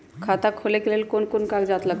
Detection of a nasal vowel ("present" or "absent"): absent